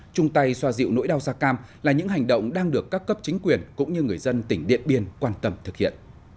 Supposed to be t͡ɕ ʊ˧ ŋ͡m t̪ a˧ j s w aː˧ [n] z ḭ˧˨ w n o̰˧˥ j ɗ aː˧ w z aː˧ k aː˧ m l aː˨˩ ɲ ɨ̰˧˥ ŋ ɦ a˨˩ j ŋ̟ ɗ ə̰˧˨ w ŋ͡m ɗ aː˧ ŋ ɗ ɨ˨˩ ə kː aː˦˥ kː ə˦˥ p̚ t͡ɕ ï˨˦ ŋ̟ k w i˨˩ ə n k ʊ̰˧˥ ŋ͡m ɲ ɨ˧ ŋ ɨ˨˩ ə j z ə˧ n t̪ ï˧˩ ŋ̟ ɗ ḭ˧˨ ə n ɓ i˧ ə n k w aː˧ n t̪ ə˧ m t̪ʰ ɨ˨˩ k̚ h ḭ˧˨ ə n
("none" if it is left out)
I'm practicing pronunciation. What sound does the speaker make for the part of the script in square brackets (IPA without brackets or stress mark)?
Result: none